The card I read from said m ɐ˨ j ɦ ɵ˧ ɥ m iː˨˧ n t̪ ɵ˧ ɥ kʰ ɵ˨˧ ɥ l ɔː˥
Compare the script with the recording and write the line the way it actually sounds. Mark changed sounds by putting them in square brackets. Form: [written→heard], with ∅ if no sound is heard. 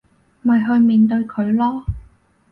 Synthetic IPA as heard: m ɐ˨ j ɦ ɵ˧ ɥ m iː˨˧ n t̪ ɵ˧ ɥ kʰ ɵ˨˧ ɥ l ɔː˥